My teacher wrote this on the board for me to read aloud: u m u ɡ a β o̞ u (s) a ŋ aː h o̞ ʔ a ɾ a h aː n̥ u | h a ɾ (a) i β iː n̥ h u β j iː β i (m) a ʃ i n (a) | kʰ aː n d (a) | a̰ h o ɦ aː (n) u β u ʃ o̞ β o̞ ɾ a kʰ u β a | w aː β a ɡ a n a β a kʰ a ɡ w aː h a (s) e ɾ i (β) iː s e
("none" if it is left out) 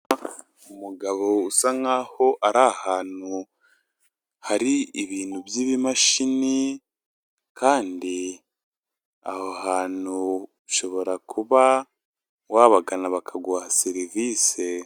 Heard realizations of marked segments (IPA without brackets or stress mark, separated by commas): s, i, m, i, i, n, s, v